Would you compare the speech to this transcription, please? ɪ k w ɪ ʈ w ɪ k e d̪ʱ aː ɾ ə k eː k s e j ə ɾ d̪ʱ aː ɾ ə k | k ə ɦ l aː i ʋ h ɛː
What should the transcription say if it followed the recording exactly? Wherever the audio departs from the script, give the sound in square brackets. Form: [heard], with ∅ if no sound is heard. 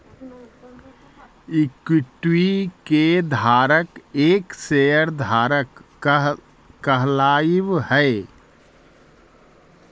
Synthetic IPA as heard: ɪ k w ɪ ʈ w [i] k e d̪ʱ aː ɾ ə k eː k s e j ə ɾ d̪ʱ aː ɾ ə k | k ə ɦ l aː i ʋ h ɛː